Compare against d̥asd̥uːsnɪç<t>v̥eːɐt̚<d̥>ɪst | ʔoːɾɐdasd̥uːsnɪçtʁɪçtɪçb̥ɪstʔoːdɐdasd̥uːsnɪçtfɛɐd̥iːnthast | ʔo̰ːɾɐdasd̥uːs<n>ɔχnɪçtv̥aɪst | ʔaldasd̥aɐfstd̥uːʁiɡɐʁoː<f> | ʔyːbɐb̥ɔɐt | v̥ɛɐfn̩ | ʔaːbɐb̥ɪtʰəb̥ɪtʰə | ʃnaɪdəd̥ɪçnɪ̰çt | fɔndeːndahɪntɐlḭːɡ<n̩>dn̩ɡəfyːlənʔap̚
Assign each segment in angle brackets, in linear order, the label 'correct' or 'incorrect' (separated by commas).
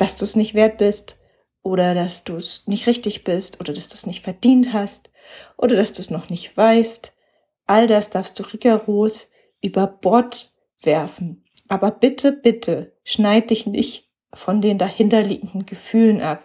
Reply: correct, incorrect, correct, incorrect, incorrect